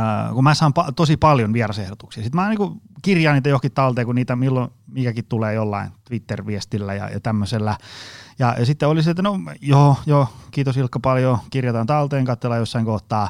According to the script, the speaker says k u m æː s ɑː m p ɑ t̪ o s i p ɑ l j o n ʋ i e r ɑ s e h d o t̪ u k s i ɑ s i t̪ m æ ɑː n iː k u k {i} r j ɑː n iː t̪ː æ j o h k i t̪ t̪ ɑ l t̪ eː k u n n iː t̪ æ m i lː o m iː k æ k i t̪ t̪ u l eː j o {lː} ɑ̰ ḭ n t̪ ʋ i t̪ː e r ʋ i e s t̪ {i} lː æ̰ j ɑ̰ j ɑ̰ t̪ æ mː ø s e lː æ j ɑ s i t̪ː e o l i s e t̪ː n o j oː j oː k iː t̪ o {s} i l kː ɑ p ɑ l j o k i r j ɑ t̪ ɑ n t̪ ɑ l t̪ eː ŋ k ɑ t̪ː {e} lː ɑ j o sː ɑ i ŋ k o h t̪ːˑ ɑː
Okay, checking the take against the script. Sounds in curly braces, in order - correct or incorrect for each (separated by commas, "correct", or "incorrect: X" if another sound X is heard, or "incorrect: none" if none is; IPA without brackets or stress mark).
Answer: correct, correct, correct, correct, correct